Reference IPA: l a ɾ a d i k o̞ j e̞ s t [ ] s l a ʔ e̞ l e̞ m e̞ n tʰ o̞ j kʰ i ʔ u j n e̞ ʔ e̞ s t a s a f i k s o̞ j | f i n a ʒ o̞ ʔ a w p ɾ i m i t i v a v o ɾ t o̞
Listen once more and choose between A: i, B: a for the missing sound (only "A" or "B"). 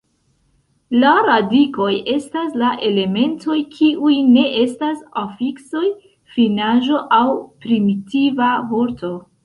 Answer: B